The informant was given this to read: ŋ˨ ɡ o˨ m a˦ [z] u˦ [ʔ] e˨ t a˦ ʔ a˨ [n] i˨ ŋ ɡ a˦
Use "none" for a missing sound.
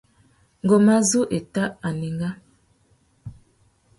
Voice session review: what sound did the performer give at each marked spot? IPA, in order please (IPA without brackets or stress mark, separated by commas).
z, ʔ, n